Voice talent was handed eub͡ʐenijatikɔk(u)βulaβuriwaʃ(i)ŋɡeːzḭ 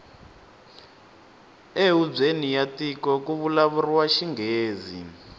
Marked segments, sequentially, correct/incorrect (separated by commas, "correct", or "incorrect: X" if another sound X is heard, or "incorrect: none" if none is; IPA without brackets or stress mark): correct, correct